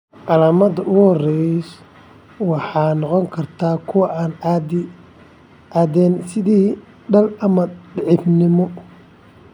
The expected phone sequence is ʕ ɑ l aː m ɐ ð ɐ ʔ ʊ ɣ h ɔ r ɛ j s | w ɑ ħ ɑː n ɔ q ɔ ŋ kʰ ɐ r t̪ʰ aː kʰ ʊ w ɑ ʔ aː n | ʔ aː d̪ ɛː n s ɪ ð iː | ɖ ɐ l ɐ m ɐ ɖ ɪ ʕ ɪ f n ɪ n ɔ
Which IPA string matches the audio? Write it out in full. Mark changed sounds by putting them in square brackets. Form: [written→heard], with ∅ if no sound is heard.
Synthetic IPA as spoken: ʕ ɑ l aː m ɐ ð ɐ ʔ ʊ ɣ h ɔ r ɛ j s | w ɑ ħ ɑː n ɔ q ɔ ŋ kʰ ɐ r t̪ʰ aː kʰ ʊ w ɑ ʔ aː n | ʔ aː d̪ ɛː n s ɪ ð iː | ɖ ɐ l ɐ m ɐ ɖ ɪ ʕ ɪ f n ɪ [n→m] ɔ